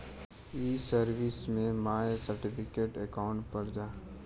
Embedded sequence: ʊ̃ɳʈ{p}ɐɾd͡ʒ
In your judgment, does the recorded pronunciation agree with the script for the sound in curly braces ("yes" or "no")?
yes